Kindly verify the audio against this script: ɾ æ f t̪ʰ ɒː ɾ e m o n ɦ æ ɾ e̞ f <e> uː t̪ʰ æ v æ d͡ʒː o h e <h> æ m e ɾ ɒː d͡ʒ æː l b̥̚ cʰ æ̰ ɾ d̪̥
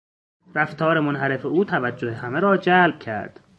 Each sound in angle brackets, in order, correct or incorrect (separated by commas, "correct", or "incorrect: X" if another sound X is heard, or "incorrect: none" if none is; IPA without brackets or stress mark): correct, correct